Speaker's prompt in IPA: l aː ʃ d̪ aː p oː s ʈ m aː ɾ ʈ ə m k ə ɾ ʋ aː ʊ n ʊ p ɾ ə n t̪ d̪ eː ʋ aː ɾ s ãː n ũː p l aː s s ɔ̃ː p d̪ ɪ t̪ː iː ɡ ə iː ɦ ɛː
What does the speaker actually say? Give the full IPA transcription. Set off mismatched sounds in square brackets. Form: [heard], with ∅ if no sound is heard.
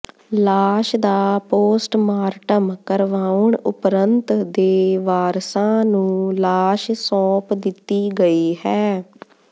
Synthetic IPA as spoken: l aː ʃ d̪ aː p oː s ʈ m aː ɾ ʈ ə m k ə ɾ ʋ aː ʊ [ɳ] ʊ p ɾ ə n t̪ d̪ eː ʋ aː ɾ s ãː n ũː [∅] l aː [ʃ] s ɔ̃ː p d̪ ɪ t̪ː iː ɡ ə iː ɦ ɛː